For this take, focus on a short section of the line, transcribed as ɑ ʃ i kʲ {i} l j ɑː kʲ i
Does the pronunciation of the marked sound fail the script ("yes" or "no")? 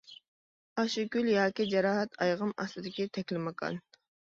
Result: yes